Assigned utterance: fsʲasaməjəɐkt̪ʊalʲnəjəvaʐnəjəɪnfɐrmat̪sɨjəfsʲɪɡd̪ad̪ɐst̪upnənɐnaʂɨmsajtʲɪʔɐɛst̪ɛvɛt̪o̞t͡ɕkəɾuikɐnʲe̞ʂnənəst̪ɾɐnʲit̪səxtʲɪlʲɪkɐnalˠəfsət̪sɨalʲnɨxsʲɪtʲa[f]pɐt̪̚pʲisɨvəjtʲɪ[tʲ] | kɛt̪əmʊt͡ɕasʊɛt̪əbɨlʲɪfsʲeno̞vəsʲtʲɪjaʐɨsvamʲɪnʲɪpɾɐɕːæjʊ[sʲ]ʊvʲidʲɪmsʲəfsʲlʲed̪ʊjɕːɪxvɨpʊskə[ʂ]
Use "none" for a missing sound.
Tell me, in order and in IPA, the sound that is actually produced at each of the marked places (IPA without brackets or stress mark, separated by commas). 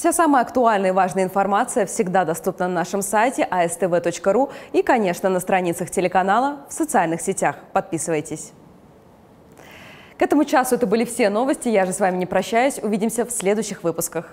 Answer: x, sʲ, sʲ, x